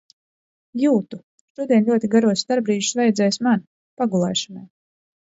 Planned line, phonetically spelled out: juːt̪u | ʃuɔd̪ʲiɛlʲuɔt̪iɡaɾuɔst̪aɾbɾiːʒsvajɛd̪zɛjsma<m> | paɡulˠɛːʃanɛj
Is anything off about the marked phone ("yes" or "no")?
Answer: yes